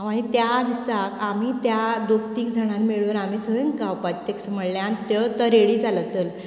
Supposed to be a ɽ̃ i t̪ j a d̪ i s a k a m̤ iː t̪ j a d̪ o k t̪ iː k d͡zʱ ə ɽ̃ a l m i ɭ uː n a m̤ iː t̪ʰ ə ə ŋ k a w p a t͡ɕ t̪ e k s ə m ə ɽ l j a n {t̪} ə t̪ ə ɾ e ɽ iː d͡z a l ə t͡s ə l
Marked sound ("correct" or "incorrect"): correct